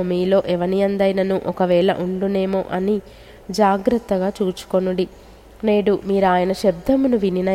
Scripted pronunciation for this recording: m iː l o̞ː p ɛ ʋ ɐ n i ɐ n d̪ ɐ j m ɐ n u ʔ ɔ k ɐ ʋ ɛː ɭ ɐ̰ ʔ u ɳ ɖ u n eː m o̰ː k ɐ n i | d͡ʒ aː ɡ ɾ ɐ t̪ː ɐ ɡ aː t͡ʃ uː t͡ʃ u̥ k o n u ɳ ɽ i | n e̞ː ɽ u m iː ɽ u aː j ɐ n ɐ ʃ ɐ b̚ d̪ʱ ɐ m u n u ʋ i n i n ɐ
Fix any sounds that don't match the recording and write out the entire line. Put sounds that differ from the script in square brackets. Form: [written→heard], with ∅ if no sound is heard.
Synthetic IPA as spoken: m iː l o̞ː [p→ʔ] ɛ ʋ ɐ n i ɐ n d̪ ɐ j [m→n] ɐ n u ʔ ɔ k ɐ ʋ ɛː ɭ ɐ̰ ʔ u ɳ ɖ u n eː m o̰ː [k→ʔ] ɐ n i | d͡ʒ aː ɡ ɾ ɐ t̪ː ɐ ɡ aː t͡ʃ uː t͡ʃ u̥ k o n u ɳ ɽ i | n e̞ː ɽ u m iː [ɽ→ɾ] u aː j ɐ n ɐ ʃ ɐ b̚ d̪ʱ ɐ m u n u ʋ i n i n ɐ